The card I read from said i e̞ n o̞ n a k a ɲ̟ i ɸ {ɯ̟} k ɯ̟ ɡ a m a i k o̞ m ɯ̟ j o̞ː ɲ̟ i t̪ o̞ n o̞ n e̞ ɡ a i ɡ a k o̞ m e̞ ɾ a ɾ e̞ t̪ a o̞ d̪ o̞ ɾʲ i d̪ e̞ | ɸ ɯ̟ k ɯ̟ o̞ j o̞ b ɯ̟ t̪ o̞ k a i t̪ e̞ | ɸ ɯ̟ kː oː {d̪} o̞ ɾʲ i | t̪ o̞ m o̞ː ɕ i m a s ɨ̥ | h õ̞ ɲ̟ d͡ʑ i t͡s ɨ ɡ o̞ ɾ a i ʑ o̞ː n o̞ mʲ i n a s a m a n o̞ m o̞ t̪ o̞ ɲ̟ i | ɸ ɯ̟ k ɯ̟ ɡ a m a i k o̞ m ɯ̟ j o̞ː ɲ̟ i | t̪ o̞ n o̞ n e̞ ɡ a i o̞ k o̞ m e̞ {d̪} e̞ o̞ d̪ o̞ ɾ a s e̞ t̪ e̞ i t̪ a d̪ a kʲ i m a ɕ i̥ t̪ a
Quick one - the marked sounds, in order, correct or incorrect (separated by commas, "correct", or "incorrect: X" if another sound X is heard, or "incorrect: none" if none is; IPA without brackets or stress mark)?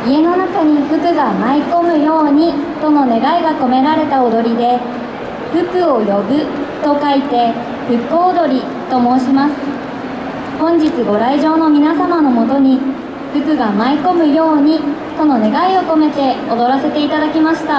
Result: correct, correct, incorrect: t̪